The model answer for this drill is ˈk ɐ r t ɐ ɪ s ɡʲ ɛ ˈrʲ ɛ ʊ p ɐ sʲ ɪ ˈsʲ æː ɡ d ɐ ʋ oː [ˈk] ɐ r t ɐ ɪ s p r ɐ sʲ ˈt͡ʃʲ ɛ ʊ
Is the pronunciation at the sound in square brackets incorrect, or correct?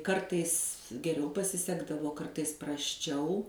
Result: correct